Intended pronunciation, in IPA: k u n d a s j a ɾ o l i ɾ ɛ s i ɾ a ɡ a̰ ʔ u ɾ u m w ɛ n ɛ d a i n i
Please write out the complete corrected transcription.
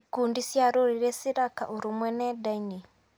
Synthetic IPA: k u n d i s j a ɾ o ɾ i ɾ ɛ s i ɾ a k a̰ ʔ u ɾ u m w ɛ n ɛ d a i n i